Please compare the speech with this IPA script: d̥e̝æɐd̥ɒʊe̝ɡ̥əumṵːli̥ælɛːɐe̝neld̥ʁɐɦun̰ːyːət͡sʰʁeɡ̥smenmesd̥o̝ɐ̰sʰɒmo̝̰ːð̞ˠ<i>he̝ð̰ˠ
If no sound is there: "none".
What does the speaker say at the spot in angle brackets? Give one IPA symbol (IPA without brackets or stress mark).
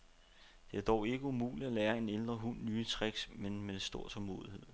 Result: i